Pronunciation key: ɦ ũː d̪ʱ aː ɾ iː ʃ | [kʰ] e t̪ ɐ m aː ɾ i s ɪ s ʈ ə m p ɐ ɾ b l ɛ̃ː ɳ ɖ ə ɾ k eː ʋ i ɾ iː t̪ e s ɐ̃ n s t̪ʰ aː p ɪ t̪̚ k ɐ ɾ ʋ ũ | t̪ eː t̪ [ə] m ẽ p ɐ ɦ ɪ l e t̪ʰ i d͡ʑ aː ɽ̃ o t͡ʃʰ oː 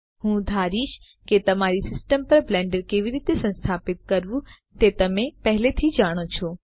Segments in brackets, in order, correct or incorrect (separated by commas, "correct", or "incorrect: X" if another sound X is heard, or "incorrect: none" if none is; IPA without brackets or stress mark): incorrect: k, incorrect: ɐ